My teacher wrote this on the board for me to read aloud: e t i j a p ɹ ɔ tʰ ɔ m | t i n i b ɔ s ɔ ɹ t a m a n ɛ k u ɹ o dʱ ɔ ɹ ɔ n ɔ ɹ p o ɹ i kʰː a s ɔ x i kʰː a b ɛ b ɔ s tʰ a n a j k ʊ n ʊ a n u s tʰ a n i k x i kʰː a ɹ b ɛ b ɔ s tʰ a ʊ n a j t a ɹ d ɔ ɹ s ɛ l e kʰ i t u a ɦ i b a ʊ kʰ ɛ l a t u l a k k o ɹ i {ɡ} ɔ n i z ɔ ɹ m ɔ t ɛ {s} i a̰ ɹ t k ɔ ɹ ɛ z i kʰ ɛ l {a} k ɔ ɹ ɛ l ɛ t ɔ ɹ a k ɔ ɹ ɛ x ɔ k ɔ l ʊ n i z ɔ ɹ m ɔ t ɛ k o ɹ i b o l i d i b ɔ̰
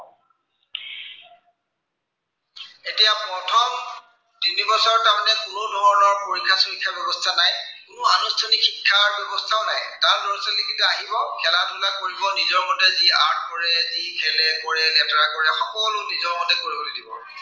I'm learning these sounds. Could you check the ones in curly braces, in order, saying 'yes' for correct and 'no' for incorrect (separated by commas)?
no, no, no